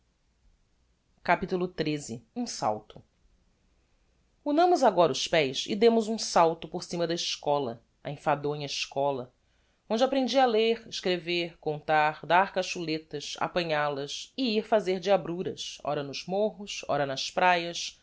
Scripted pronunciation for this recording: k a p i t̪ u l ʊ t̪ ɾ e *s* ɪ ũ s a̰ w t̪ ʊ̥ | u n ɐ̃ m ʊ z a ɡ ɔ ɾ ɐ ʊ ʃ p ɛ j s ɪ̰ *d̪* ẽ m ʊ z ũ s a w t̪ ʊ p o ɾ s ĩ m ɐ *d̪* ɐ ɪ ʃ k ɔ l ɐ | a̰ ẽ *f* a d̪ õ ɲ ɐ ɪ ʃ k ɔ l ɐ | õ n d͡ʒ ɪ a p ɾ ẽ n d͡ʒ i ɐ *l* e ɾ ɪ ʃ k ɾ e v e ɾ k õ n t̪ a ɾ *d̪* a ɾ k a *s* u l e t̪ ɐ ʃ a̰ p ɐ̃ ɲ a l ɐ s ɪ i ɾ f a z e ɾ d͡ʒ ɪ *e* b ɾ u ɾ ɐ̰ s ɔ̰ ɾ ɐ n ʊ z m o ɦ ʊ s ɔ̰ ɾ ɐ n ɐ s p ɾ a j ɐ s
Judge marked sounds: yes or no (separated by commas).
no, yes, yes, yes, yes, yes, no, no